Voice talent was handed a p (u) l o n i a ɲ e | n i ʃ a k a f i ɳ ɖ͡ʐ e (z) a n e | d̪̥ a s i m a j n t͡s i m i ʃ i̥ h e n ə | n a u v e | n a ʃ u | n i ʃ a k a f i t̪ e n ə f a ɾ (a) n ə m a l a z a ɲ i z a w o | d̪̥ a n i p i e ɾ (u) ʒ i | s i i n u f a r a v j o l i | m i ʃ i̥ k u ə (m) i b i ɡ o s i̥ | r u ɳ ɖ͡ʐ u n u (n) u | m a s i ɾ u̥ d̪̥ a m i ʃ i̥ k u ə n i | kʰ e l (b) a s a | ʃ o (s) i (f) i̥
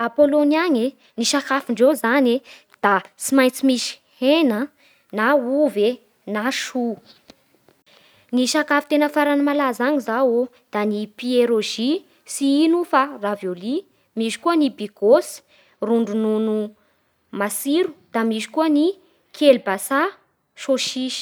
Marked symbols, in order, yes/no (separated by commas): no, yes, yes, no, no, yes, yes, no, no